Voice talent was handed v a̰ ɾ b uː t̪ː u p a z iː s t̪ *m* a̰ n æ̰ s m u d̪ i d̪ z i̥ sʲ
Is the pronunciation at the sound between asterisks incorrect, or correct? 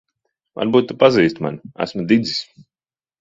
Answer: correct